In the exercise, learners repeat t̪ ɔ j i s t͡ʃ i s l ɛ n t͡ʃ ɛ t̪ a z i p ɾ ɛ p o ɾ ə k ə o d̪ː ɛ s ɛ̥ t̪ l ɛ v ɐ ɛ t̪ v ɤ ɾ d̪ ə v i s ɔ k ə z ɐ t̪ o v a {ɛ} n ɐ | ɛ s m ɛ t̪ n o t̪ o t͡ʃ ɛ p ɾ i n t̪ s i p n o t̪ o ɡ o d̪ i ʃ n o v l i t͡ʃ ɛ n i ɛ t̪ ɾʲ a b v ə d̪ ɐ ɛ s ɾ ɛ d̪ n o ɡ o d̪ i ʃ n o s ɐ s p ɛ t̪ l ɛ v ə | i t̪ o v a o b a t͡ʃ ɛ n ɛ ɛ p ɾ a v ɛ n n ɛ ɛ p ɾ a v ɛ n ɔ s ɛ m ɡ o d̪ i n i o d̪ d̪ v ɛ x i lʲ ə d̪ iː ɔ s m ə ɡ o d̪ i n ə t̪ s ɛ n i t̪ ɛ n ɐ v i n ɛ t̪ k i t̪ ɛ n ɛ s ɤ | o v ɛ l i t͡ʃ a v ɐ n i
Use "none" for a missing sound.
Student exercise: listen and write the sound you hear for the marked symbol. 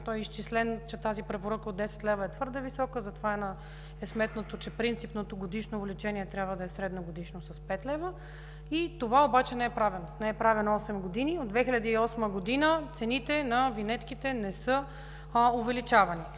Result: ɛ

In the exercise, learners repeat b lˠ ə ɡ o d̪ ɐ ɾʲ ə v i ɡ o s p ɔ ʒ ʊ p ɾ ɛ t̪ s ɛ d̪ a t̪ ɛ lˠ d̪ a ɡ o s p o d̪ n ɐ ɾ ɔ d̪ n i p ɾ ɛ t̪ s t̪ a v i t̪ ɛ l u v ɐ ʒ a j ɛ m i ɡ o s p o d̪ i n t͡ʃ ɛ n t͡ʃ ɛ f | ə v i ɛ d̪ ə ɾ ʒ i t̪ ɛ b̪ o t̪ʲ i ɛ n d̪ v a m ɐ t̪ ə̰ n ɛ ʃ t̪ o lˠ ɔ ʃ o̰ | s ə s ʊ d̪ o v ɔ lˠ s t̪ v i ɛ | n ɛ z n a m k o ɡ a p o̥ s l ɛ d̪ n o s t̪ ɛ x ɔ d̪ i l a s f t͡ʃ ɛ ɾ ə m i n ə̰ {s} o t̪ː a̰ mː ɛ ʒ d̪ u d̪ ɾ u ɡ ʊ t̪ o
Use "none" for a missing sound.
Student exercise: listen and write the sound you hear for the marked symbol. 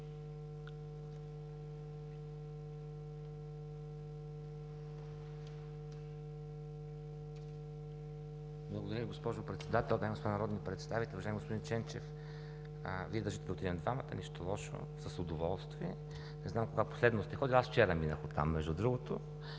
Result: x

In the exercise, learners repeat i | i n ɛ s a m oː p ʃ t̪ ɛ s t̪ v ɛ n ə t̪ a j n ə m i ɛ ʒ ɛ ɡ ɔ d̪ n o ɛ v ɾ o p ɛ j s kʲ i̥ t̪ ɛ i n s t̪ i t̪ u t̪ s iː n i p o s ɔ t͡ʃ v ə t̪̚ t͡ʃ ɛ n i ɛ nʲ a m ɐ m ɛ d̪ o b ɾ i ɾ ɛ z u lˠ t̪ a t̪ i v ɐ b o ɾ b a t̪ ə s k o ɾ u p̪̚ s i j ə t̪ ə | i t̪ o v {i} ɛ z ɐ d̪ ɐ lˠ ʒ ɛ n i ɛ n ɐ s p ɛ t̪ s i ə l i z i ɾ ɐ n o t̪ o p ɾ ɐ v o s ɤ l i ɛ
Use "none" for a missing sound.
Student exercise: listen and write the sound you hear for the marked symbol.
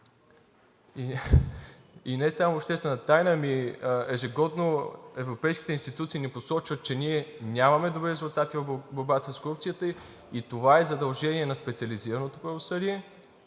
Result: a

